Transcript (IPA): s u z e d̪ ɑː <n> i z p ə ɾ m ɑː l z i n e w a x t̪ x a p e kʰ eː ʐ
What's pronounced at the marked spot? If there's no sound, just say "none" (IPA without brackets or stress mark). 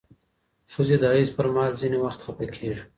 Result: none